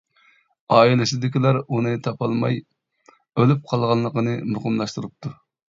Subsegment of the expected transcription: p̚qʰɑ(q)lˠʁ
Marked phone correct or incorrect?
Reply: incorrect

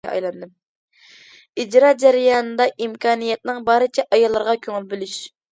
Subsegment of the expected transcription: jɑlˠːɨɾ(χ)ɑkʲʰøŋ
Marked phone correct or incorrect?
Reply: incorrect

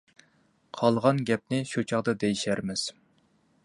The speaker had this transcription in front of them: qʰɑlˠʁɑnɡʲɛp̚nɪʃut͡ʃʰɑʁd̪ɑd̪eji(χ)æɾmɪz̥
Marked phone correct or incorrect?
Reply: incorrect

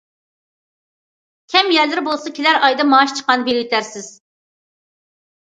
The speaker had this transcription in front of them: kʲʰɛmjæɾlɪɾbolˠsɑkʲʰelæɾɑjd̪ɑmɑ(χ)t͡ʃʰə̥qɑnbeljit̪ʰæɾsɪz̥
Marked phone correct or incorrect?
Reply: incorrect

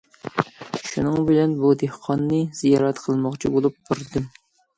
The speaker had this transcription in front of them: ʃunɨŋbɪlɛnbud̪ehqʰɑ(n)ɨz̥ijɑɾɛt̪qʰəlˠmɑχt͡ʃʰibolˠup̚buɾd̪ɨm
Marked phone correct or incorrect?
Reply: incorrect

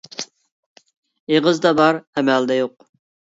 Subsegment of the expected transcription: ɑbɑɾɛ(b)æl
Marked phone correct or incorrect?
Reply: incorrect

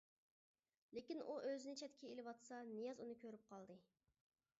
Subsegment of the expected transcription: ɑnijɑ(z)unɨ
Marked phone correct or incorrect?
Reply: correct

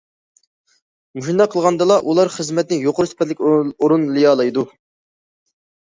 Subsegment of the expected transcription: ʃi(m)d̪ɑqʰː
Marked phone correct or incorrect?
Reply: incorrect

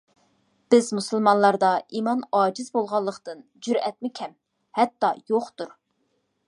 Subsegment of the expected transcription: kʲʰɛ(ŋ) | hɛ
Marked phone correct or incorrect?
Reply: incorrect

